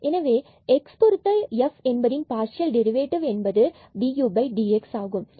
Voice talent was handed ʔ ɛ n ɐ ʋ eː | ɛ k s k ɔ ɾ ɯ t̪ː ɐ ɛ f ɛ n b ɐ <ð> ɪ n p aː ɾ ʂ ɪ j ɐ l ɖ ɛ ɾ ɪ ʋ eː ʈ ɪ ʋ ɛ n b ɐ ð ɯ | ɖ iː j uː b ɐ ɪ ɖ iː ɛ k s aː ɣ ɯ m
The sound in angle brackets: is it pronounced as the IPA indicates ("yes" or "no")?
yes